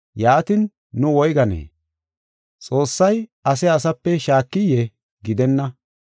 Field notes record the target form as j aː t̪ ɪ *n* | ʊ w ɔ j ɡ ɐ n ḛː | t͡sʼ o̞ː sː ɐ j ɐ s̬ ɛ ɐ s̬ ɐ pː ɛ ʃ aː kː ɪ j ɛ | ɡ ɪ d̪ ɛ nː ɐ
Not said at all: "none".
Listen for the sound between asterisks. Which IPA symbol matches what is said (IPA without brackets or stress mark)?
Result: nː